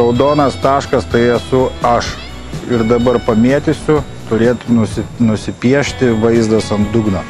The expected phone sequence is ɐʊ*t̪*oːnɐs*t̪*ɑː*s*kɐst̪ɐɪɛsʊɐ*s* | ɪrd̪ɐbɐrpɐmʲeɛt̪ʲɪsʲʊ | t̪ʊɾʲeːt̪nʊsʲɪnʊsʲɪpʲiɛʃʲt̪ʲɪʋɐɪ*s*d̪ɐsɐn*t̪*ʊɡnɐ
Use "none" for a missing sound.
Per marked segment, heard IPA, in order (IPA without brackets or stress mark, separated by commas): d̪, t̪, ʃ, ʃ, z, d̪